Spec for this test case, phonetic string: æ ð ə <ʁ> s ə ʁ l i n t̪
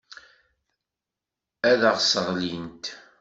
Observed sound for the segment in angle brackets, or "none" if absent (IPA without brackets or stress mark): ʁ